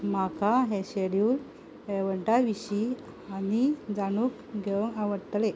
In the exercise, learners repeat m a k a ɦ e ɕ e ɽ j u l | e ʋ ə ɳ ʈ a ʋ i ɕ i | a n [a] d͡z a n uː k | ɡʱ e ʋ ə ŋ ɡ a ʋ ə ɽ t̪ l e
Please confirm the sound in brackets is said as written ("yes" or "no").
no